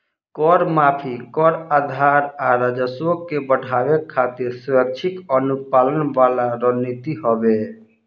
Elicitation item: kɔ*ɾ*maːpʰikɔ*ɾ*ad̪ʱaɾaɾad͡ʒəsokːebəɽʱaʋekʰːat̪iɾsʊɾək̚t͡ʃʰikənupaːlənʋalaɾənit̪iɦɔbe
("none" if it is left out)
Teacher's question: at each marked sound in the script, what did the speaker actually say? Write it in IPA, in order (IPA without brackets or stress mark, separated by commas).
ɾ, ɾ